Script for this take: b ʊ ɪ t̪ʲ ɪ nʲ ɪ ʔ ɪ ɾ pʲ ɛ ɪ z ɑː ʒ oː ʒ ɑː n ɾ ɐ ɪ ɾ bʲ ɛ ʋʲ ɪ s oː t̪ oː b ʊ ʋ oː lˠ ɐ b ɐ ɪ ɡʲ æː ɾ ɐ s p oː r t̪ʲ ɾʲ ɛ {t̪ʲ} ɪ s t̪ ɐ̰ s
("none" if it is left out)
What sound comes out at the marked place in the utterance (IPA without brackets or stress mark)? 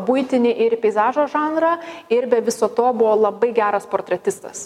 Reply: t̪ʲ